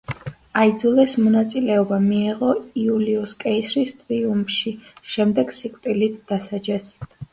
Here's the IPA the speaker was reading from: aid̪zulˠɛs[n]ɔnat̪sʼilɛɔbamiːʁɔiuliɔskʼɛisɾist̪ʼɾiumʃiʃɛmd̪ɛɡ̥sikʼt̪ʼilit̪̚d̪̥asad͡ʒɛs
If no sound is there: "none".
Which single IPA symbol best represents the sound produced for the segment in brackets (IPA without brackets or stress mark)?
m